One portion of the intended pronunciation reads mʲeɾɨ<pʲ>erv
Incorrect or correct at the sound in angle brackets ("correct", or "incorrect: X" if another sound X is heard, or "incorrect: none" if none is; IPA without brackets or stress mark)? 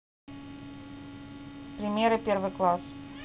correct